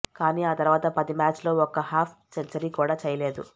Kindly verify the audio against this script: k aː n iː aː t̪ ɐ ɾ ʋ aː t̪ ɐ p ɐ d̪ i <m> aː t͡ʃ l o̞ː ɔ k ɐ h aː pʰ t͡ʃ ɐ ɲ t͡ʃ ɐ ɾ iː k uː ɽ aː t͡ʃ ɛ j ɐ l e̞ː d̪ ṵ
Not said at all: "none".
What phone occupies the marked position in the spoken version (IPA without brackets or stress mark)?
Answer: m